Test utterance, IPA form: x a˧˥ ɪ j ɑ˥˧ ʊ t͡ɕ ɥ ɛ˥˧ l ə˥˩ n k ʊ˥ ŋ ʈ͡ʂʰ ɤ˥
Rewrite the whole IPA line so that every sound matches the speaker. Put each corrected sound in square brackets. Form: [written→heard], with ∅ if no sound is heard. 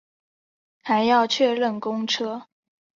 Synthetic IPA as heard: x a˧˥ ɪ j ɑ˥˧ ʊ [t͡ɕ→t͡ɕʰ] ɥ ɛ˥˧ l ə˥˩ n k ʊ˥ ŋ ʈ͡ʂʰ ɤ˥